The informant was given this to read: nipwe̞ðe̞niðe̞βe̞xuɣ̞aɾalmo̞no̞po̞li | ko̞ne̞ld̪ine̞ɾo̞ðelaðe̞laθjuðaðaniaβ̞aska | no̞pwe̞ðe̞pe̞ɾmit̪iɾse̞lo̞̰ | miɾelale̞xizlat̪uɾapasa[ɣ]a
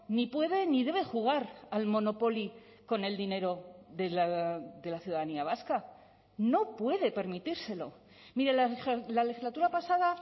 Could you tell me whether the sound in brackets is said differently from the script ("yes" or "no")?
yes